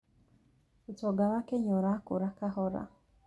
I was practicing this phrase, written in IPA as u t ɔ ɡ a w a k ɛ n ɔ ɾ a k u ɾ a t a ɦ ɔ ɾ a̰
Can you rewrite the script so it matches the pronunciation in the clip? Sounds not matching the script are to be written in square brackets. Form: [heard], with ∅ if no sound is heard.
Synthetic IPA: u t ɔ ɡ a w a k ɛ [ɲ] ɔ ɾ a k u ɾ a [k] a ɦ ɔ ɾ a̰